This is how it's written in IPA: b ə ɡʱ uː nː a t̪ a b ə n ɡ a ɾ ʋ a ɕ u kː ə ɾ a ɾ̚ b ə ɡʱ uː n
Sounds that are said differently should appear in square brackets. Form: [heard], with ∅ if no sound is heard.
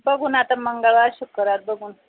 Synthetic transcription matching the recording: b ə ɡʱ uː [n] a t̪ a [m] ə [ŋ] ɡ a [ɭ] ʋ a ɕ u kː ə ɾ a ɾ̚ b ə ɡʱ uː n